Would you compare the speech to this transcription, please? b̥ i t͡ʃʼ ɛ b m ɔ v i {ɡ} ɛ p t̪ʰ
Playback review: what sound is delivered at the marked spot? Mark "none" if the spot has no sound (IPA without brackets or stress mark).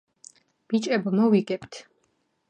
ɡ